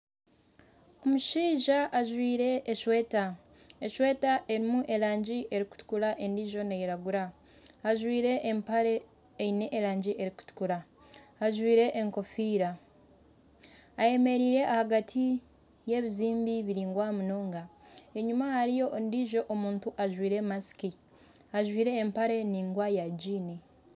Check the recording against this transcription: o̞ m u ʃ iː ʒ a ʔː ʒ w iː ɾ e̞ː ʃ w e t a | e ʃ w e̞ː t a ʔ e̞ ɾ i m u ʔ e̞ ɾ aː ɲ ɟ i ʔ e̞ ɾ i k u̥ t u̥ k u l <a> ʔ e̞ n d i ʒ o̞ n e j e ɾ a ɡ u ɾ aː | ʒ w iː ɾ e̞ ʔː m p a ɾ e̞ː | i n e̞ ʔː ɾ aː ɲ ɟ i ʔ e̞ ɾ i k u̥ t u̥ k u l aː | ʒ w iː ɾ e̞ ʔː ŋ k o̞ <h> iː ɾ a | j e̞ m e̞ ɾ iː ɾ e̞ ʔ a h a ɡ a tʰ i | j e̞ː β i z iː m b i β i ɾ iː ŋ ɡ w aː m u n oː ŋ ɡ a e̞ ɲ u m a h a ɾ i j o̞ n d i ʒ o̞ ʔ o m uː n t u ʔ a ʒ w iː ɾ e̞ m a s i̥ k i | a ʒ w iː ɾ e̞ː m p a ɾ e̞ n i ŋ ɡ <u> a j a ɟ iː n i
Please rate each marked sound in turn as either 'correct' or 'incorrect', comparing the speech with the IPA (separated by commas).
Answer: correct, incorrect, incorrect